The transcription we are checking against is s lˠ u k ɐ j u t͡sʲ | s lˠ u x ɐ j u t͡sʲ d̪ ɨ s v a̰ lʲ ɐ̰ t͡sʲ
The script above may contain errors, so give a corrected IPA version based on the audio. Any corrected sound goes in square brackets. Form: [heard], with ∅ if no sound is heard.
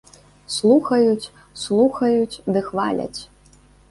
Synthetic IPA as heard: s lˠ u [x] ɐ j u t͡sʲ | s lˠ u x ɐ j u t͡sʲ d̪ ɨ [x] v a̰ lʲ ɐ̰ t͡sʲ